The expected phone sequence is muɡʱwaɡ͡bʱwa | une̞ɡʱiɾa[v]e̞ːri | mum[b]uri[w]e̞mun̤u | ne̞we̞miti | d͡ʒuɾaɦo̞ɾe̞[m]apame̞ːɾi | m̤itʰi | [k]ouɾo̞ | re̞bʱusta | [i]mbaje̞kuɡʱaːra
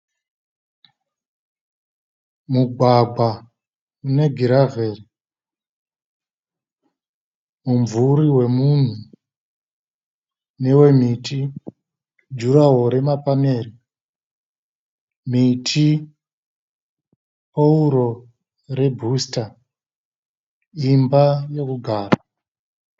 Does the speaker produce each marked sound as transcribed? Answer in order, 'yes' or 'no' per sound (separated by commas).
yes, no, yes, yes, no, yes